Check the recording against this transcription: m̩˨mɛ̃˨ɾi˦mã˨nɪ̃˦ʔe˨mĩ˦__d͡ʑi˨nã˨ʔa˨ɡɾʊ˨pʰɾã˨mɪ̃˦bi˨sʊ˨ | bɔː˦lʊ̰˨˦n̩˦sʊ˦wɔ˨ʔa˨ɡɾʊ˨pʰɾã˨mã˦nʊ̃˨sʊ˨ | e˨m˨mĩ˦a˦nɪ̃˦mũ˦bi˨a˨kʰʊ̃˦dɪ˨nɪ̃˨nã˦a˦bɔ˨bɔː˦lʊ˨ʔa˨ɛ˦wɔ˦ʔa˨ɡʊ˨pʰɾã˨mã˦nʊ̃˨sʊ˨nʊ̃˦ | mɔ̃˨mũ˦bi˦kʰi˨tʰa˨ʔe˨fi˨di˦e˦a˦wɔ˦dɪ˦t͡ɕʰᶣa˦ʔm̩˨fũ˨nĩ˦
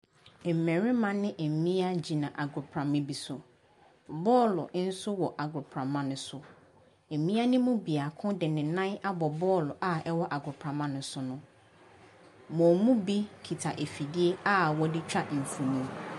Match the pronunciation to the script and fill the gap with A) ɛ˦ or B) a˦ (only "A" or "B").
B